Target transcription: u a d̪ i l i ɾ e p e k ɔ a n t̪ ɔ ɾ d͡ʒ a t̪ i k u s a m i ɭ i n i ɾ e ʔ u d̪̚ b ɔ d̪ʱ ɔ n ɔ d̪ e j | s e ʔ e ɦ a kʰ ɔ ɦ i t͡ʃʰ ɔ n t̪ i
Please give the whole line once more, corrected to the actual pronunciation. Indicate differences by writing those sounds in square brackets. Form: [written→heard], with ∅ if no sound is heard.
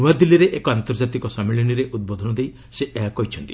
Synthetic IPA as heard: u a d̪ i l i ɾ e [p→ʔ] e k ɔ a n t̪ ɔ ɾ d͡ʒ a t̪ i k [u→ɔ] s a m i ɭ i n i ɾ e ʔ u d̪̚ b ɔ d̪ʱ ɔ n ɔ d̪ e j | s e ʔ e ɦ a [kʰ→k] ɔ ɦ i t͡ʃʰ ɔ n t̪ i

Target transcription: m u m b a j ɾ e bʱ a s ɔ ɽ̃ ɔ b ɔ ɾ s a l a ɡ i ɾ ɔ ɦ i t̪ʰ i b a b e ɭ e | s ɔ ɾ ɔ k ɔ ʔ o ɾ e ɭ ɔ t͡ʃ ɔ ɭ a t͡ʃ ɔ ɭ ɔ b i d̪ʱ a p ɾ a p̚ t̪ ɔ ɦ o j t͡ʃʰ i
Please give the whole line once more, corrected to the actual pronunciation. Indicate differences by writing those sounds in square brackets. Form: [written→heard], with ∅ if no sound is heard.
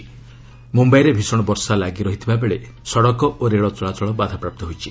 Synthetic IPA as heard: m u m b a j ɾ e bʱ [a→i] s ɔ ɽ̃ ɔ b ɔ ɾ s a l a ɡ i ɾ ɔ ɦ i t̪ʰ i b a b e ɭ e | s ɔ [ɾ→ɽ] ɔ k ɔ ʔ o ɾ e ɭ ɔ t͡ʃ ɔ ɭ a t͡ʃ ɔ ɭ ɔ b [i→a] d̪ʱ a p ɾ a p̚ t̪ ɔ ɦ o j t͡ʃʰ i

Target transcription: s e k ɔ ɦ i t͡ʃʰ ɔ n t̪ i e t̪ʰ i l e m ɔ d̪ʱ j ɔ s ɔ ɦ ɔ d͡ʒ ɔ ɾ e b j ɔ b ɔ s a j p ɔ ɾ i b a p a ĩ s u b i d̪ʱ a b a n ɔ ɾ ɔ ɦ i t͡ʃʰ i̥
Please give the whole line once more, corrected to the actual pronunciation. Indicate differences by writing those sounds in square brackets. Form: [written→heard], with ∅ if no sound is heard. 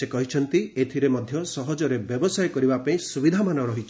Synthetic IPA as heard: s e k ɔ ɦ i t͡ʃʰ ɔ n t̪ i e t̪ʰ i [l→ɾ] e m ɔ d̪ʱ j ɔ s ɔ ɦ ɔ d͡ʒ ɔ ɾ e b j ɔ b ɔ s a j [p→k] ɔ ɾ i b a p a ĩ s u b i d̪ʱ a [b→m] a n ɔ ɾ ɔ ɦ i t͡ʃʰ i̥

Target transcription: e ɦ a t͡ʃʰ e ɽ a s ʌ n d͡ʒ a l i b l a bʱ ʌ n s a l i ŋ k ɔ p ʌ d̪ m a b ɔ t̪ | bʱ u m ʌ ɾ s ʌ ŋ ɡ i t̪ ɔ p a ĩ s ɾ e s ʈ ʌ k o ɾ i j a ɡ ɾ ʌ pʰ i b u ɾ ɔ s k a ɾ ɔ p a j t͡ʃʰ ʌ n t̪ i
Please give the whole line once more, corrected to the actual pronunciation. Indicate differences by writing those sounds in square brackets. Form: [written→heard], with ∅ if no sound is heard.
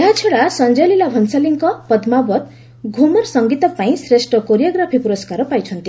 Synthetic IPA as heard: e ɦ a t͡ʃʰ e ɽ a s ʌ n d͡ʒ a l i [b→∅] l a bʱ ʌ n s a l i ŋ k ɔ p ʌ d̪ m a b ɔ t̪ | [bʱ→ɡʱ] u m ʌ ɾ s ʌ ŋ ɡ i t̪ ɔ p a ĩ s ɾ e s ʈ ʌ k o ɾ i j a ɡ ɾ [ʌ→a] pʰ i [b→p] u ɾ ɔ s k a ɾ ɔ p a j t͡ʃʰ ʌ n t̪ i

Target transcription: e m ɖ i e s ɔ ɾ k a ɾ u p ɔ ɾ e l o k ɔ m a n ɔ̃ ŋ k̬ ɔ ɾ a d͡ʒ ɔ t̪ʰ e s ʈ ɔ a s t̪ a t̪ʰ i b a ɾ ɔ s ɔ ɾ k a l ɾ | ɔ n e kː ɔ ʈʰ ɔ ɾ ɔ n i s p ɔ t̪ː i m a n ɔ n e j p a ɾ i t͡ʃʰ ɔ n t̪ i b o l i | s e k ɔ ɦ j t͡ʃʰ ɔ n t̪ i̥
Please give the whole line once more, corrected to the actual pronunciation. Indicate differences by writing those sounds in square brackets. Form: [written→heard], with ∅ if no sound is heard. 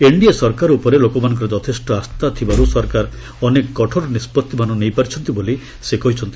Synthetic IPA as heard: e [m→ɳ] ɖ i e s ɔ ɾ k a ɾ u p ɔ ɾ e l o k ɔ m a n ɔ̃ ŋ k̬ ɔ ɾ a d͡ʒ ɔ t̪ʰ e s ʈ ɔ a s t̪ a t̪ʰ i b a ɾ [ɔ→u] s ɔ ɾ k a [l→∅] ɾ | ɔ n e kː ɔ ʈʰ ɔ ɾ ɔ n i s p ɔ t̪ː i m a n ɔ n e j p a ɾ i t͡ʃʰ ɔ n t̪ i b o l i | s e k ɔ ɦ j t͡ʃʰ ɔ n t̪ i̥

